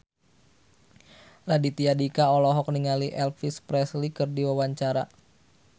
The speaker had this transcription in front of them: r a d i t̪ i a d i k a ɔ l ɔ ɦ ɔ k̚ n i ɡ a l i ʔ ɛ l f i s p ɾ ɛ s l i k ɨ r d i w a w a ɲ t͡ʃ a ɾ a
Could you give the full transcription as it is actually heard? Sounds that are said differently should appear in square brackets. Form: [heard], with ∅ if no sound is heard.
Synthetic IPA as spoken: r a d i t̪ i a d i k a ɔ l ɔ ɦ ɔ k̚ n i [ŋ] a l i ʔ ɛ l f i s p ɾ ɛ s l i k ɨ r d i w a w a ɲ t͡ʃ a ɾ a